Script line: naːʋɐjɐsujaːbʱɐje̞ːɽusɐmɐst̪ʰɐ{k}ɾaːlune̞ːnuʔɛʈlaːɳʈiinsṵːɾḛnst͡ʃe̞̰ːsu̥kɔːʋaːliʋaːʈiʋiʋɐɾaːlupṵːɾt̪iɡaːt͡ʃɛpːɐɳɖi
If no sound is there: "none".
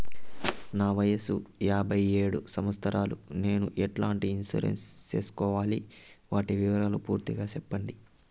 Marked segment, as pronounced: none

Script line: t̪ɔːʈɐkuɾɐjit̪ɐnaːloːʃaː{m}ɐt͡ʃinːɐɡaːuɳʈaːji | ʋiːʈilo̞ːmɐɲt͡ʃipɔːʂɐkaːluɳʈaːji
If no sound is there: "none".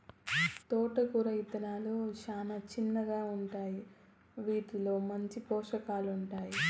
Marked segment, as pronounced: n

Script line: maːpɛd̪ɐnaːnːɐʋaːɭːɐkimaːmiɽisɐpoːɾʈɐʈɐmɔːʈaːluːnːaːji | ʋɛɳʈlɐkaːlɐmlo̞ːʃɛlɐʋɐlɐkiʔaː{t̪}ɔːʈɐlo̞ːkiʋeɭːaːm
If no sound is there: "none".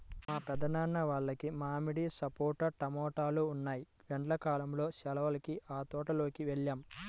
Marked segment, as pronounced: t̪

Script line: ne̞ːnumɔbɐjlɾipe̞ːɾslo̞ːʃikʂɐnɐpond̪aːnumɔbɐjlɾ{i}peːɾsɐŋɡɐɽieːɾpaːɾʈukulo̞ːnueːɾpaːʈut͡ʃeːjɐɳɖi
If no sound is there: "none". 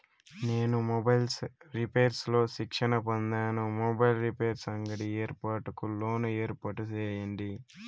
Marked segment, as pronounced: i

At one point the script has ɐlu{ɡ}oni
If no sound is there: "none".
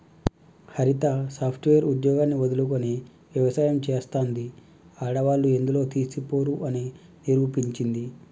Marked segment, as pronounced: k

